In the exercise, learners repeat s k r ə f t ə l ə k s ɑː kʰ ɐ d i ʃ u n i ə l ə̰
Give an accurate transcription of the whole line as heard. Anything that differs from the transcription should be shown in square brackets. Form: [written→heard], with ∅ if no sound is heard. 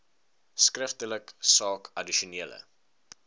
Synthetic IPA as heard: s k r ə f t ə l ə k s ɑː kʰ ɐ d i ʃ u n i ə l ə̰